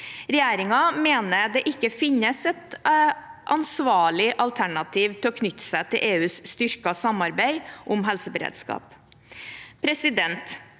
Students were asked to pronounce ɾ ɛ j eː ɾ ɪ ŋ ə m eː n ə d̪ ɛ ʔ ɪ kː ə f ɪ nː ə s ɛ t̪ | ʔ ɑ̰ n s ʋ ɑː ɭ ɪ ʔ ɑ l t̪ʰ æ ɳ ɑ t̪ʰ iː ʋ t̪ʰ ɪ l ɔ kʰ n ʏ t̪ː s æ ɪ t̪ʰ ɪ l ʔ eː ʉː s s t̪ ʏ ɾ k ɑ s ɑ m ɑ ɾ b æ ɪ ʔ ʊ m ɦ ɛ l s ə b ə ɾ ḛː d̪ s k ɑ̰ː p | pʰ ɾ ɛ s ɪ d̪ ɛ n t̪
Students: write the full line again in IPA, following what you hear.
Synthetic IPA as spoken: ɾ ɛ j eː ɾ ɪ ŋ ɑ m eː n ə d̪ ɛ ʔ ɪ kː ə f ɪ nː ə s ɛ t̪ | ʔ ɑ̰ n s ʋ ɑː ɭ ɪ ʔ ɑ l t̪ʰ æ ɳ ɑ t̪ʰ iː ʋ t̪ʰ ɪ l ɔ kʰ n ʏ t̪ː s æ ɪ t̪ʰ ɪ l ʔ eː ʉː s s t̪ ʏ ɾ k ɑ s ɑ m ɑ ɾ b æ ɪ ʔ ʊ m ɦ ɛ l s ə b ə ɾ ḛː d̪ s k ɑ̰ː p | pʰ ɾ ɛ s ɪ d̪ ɛ n t̪